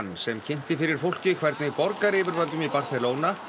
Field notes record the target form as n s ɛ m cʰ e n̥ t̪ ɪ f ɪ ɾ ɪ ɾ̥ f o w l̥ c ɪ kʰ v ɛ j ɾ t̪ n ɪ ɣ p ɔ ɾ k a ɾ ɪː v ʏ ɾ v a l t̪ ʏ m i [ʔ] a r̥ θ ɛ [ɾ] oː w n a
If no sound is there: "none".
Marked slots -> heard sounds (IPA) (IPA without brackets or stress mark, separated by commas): p, l